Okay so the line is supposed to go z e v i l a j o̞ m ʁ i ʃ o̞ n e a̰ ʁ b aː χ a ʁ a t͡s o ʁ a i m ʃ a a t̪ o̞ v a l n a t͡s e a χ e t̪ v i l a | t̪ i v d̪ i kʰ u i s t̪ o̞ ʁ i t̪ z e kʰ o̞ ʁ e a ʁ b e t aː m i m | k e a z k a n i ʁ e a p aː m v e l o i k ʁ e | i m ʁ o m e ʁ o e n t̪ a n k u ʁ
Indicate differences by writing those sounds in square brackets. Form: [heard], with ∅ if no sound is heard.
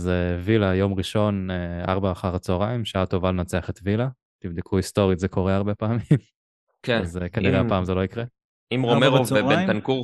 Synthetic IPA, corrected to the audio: z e v i l a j o̞ m ʁ i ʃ o̞ n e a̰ ʁ b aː χ a ʁ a t͡s o ʁ a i m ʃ a a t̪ o̞ v a l n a t͡s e a χ e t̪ v i l a | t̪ i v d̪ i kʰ u i s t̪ o̞ ʁ i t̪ z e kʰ o̞ ʁ e a ʁ b e [p] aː m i m | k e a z k a n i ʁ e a p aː m [z] e l o i k ʁ e | i m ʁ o m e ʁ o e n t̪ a n k u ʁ